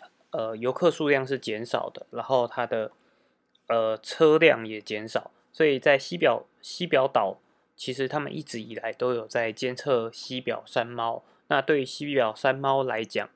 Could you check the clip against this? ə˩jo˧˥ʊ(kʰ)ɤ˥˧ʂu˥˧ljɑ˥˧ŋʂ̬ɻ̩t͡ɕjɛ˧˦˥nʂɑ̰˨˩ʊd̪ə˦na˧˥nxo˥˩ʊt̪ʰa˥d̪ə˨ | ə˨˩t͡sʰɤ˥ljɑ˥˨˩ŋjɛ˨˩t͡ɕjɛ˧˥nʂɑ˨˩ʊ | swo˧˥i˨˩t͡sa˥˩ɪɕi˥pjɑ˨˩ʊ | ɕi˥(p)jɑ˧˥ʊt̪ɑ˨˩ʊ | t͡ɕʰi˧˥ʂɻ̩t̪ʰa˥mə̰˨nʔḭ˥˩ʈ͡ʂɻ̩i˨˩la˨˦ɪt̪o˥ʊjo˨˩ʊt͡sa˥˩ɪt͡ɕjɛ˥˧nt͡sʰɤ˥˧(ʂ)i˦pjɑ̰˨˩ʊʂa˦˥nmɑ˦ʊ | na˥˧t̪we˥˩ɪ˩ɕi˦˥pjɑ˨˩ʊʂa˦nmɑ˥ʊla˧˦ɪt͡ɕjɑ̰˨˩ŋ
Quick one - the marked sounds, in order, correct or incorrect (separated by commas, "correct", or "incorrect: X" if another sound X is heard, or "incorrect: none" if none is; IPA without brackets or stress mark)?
correct, correct, incorrect: ɕ